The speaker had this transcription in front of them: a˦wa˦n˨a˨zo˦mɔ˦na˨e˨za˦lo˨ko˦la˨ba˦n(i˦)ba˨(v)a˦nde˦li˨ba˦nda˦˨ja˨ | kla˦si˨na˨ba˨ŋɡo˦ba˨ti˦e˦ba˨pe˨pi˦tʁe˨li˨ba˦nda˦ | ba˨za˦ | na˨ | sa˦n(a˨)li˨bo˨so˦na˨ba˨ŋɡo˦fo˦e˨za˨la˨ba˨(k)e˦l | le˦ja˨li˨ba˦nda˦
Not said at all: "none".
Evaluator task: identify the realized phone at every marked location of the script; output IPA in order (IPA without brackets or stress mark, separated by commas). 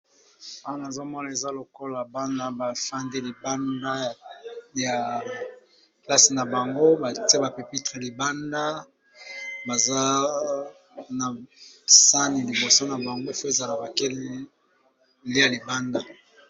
a˦, f, i˨, k